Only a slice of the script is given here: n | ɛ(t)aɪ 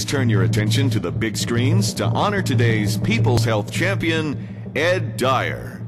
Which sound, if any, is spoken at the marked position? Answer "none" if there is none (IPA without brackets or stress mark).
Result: d